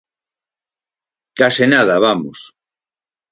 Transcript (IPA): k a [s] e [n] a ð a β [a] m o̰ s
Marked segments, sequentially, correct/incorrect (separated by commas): correct, correct, correct